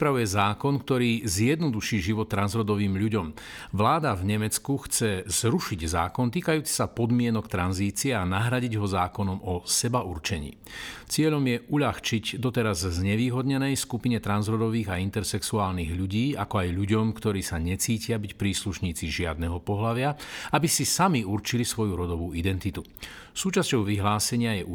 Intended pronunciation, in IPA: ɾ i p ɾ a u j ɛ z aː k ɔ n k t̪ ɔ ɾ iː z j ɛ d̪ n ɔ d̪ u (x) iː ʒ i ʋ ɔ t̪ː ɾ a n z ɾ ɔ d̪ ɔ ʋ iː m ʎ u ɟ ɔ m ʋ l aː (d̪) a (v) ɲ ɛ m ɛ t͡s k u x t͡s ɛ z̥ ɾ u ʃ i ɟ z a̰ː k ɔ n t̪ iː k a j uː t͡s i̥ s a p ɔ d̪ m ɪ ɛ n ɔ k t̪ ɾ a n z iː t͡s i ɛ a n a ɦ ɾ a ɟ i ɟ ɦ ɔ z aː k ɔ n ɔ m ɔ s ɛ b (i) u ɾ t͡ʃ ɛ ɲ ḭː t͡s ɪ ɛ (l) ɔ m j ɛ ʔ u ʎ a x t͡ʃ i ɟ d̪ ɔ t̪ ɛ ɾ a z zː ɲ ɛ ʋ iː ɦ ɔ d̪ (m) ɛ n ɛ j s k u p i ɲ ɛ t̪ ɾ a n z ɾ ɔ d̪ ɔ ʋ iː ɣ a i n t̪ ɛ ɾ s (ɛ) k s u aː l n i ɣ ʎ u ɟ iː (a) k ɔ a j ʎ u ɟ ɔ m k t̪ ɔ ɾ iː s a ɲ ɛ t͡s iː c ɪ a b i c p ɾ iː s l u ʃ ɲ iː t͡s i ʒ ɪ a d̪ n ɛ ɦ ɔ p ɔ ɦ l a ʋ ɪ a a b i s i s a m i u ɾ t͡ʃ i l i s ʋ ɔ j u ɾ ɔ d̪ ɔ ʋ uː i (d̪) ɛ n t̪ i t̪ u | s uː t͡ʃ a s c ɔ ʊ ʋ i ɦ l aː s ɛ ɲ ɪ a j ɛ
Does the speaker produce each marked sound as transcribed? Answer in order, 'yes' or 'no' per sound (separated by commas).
no, yes, yes, no, no, no, yes, yes, yes